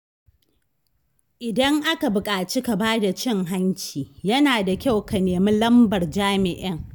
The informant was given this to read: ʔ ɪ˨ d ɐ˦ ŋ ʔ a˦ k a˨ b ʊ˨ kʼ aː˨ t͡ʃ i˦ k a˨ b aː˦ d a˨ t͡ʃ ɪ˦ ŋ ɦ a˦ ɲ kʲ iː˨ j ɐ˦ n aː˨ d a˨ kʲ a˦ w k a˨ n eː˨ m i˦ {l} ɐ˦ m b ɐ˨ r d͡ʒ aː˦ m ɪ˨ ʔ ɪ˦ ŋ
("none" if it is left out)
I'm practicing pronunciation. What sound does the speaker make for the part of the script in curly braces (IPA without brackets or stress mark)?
l